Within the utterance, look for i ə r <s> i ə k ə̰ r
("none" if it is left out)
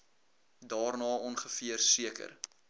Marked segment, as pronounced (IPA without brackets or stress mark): s